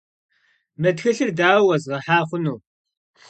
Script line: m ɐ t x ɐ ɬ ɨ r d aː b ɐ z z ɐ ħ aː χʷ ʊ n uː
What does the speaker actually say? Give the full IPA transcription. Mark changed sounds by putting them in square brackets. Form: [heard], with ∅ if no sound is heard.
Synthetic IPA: m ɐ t x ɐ ɬ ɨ r d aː [w] ɐ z [ʁ] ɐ ħ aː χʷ ʊ n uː